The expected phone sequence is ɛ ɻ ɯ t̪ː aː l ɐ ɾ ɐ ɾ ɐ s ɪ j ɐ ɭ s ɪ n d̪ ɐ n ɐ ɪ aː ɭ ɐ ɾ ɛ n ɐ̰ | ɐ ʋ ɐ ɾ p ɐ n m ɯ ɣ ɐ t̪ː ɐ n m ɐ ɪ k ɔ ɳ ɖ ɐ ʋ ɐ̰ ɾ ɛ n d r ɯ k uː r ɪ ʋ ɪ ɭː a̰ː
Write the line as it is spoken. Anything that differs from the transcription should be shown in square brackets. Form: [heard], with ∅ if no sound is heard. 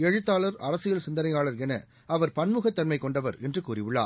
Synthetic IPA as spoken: ɛ ɻ ɯ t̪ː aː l ɐ ɾ ɐ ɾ ɐ s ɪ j ɐ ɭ s ɪ n d̪ ɐ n ɐ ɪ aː ɭ ɐ ɾ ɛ n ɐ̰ | ɐ ʋ ɐ ɾ p ɐ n m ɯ ɣ ɐ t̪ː ɐ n m ɐ ɪ k ɔ ɳ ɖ ɐ ʋ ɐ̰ ɾ ɛ n d r ɯ k uː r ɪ ʋ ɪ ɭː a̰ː